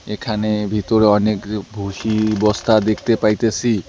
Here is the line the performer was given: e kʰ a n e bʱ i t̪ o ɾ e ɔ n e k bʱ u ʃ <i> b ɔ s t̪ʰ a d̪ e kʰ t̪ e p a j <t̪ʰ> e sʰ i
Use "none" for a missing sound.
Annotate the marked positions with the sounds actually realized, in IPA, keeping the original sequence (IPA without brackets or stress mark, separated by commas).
i, t̪